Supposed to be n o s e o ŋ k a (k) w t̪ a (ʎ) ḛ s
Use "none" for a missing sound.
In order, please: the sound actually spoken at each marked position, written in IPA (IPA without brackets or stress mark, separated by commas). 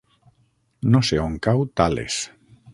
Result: none, l